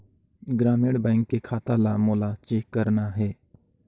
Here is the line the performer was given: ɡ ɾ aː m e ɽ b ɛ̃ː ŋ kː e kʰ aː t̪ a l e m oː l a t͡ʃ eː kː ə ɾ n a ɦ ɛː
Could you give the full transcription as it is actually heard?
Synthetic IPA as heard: ɡ ɾ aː m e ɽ b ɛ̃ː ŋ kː e kʰ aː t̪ a l a m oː l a t͡ʃ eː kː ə ɾ n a ɦ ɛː

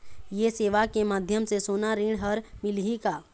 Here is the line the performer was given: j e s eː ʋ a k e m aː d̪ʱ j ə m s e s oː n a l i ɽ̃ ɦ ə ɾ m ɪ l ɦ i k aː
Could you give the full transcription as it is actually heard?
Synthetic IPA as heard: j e s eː ʋ a k e m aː d̪ʱ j ə m s e s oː n a ɾ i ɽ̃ ɦ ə ɾ m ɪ l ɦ i k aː

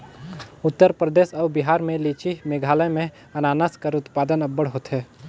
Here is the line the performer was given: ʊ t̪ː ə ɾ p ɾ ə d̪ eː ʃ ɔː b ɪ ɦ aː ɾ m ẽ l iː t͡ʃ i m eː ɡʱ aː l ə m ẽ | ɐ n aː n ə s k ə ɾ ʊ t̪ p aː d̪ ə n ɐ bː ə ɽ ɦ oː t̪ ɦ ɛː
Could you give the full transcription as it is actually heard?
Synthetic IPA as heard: ʊ t̪ː ə ɾ p ɾ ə d̪ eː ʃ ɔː b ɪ ɦ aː ɾ m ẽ l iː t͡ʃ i m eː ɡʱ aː l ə m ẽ | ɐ n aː n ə s k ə ɾ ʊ t̪ p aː d̪ ə n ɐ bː ə ɽ ɦ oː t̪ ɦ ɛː

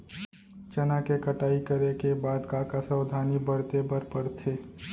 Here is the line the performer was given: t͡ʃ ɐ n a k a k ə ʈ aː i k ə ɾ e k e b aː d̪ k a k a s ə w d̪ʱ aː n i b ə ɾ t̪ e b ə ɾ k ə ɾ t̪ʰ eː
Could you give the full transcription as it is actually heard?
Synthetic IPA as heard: t͡ʃ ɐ n a k e k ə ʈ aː i k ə ɾ e k e b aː d̪ k a k a s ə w d̪ʱ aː n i b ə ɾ t̪ e b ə ɾ p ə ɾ t̪ʰ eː

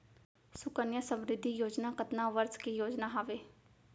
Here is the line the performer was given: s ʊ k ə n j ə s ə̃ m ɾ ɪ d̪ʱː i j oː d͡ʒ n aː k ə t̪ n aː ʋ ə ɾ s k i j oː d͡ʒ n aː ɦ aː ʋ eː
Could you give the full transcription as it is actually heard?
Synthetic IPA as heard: s ʊ k ə n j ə s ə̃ m ɾ ɪ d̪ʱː i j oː d͡ʒ n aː k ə t̪ n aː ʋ ə ɾ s k i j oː d͡ʒ n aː ɦ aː ʋ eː

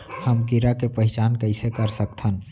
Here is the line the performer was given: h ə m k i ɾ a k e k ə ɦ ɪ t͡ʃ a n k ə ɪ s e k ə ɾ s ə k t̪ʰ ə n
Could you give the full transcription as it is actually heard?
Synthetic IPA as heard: h ə m k i ɾ a k e p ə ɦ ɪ t͡ʃ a n k ə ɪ s e k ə ɾ s ə k t̪ʰ ə n

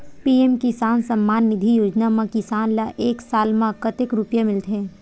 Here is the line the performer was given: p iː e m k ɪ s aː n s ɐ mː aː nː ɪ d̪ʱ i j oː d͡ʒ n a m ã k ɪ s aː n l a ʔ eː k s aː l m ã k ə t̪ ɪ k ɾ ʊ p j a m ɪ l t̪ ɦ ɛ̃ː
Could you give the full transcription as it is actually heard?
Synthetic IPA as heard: p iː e m k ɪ s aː n s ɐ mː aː nː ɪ d̪ʱ i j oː d͡ʒ n a m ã k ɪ s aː n l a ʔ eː k s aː l m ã k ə t̪ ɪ k ɾ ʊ p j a m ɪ l t̪ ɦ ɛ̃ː

